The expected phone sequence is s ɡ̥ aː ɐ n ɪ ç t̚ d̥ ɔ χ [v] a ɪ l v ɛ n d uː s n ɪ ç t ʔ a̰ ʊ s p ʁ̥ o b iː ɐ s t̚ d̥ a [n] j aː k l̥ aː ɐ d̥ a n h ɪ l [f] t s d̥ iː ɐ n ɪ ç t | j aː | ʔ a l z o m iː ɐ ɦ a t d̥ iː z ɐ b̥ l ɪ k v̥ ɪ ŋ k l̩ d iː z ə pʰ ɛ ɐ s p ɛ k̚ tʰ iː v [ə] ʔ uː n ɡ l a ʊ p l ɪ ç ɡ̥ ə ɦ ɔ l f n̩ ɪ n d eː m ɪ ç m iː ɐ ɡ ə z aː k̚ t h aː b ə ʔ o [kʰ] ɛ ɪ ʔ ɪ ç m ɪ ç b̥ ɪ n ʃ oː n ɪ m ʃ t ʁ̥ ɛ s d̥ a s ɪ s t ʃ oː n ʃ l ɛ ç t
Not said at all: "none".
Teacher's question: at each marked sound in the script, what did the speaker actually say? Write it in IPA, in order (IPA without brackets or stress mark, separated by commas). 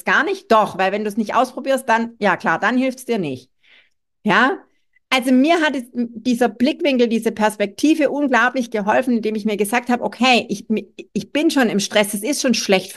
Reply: v, n, f, ə, kʰ